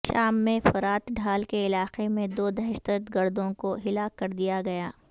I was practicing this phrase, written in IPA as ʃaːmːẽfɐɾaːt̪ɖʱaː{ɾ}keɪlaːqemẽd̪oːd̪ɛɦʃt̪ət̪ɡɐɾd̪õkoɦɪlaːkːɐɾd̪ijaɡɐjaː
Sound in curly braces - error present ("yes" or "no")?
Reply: yes